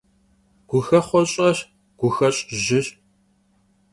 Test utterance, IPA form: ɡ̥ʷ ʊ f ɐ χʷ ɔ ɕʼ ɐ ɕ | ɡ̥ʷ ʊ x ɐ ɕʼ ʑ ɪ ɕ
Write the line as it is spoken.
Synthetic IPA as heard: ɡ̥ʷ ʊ x ɐ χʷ ɔ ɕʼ ɐ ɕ | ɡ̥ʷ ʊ x ɐ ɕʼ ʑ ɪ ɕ